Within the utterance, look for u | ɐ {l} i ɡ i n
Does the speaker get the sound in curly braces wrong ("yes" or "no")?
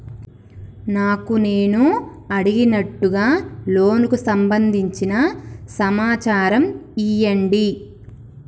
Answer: yes